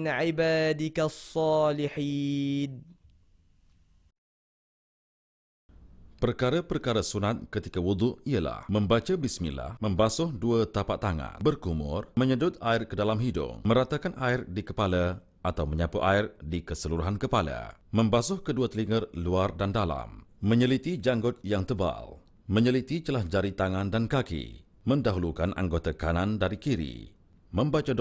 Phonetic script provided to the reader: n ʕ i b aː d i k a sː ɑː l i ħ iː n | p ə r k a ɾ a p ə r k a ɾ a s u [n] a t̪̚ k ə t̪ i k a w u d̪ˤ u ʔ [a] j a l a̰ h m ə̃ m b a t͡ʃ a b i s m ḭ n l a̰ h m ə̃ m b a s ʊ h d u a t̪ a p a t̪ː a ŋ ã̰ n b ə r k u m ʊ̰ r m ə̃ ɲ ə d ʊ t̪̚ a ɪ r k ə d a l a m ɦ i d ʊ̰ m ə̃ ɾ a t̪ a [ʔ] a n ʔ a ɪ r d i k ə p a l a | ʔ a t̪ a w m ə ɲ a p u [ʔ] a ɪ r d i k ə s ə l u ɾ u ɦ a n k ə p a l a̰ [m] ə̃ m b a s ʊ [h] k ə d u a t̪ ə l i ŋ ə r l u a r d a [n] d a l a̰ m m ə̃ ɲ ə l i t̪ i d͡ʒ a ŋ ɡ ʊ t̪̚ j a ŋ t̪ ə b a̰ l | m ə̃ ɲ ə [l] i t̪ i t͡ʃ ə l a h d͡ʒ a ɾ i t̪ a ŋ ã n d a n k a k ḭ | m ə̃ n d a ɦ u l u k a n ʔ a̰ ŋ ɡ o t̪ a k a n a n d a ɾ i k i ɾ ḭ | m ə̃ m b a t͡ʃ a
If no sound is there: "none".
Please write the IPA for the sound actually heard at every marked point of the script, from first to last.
n, i, k, ʔ, m, h, n, l

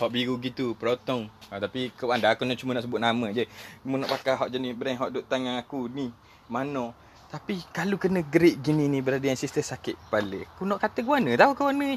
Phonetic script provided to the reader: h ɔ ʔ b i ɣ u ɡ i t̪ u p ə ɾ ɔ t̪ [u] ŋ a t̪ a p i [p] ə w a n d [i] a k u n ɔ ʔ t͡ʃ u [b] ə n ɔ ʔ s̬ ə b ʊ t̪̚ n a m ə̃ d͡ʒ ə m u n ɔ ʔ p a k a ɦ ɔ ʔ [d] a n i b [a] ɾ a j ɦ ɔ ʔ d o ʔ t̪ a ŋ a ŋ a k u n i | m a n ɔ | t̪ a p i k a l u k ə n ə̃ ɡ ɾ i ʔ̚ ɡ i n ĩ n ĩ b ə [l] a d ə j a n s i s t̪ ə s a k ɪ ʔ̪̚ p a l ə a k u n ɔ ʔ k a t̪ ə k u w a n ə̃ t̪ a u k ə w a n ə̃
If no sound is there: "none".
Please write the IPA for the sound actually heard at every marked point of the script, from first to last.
ɔ, k, a, m, d͡ʒ, ə, ɾ

